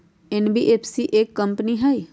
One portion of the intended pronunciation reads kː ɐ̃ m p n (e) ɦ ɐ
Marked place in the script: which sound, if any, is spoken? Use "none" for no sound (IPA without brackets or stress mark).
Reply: i